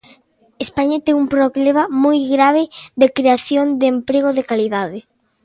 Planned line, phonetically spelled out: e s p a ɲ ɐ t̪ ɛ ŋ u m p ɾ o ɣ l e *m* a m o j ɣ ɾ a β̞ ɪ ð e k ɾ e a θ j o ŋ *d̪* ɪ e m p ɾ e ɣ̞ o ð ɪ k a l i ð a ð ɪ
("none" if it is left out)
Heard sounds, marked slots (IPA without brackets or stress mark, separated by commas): m, d̪